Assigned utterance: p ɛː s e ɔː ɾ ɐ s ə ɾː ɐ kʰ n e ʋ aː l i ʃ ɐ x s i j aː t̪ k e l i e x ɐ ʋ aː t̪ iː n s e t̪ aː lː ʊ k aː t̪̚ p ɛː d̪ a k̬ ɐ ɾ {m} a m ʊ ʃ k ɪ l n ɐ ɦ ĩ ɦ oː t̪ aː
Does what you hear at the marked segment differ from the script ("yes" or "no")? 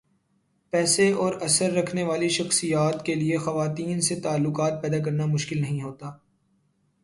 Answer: yes